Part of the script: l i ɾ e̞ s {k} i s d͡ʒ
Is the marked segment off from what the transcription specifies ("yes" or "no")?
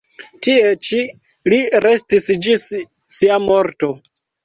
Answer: yes